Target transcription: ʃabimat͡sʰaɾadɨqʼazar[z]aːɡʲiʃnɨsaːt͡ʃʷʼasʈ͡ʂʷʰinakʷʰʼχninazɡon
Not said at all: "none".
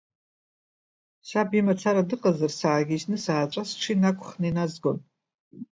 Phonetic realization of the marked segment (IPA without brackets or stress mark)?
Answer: s